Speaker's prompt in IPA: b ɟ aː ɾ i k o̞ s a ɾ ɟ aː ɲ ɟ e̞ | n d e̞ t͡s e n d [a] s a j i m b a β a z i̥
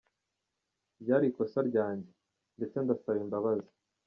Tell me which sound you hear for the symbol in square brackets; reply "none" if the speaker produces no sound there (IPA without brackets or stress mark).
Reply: a